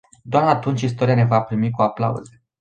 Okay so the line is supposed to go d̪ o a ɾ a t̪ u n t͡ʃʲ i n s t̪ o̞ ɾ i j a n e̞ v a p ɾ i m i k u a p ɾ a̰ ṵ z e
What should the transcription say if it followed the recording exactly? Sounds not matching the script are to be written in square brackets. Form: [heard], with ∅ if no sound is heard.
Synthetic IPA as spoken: d̪ o a ɾ a t̪ u n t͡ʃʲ i [∅] s t̪ o̞ ɾ i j a n e̞ v a p ɾ i m i k u a p [l] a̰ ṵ z e